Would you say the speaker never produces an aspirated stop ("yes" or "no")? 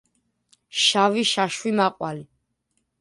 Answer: yes